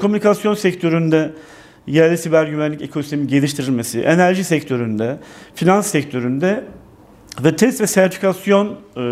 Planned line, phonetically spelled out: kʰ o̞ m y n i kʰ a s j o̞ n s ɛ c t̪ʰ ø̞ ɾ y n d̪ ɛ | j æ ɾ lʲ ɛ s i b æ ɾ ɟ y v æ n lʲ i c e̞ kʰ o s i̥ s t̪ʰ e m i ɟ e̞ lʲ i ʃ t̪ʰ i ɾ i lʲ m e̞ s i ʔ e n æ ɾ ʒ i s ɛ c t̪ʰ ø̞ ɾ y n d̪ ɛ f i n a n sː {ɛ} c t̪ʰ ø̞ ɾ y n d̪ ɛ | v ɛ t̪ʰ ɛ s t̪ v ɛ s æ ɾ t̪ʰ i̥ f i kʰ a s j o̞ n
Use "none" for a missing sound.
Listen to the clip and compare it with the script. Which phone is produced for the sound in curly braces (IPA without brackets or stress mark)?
ɛ